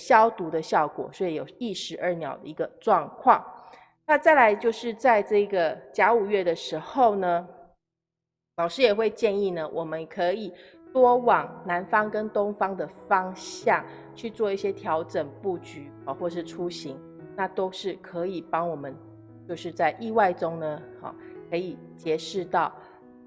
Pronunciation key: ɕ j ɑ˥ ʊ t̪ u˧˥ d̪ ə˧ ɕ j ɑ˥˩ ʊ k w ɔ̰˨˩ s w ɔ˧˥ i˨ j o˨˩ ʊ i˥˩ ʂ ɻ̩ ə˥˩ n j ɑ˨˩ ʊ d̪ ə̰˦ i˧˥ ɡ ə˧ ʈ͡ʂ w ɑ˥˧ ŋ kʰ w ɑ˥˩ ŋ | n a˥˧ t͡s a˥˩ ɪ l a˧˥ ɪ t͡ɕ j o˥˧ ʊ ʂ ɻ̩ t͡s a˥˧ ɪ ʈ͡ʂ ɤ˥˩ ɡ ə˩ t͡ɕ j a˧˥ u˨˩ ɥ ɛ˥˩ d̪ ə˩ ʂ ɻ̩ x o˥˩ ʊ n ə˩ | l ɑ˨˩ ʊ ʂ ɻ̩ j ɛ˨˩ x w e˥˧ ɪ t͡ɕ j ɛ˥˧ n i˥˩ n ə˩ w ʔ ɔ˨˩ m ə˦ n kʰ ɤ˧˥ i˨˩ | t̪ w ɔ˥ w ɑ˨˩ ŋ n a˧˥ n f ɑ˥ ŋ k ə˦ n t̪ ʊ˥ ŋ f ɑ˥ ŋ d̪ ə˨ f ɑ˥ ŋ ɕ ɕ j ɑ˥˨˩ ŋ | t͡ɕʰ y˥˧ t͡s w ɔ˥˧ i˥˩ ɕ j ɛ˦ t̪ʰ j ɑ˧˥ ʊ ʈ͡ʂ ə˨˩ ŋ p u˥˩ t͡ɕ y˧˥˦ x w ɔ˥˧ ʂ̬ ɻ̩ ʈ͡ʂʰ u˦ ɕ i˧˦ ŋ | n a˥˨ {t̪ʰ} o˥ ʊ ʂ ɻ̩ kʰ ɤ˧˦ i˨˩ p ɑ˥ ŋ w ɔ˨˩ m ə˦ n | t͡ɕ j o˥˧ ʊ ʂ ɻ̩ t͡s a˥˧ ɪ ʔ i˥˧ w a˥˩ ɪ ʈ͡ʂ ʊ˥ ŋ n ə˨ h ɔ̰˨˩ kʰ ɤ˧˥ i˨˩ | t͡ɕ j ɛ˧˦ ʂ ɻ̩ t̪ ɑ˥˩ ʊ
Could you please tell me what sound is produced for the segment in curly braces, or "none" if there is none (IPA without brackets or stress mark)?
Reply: t̪